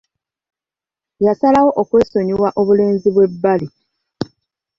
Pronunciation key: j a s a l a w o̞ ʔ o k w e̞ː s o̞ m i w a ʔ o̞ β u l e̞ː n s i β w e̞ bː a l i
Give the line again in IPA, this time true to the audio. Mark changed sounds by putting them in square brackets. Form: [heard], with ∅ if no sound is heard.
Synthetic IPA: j a s a l a w o̞ ʔ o k w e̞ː s o̞ [ɲ] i w a ʔ o̞ β u l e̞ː n [z] i β w e̞ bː a l i